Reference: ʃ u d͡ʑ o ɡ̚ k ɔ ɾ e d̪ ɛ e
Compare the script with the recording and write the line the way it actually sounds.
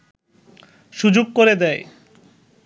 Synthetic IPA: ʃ u d͡ʑ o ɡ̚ k o ɾ e d̪ ɛ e